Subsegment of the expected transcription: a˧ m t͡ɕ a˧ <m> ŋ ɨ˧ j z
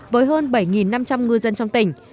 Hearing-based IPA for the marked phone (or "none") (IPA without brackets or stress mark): m